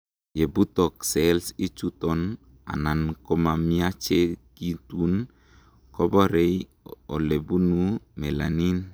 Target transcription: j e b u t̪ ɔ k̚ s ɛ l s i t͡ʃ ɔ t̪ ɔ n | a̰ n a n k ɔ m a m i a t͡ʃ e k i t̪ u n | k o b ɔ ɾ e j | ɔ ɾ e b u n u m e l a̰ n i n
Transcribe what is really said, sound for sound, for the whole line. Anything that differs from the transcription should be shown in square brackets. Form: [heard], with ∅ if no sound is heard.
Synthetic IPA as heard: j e b u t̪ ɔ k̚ s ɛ l s i t͡ʃ [u] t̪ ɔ n | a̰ n a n k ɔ m a m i a t͡ʃ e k i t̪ u n | k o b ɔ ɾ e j | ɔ [l] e b u n u m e l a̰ n i n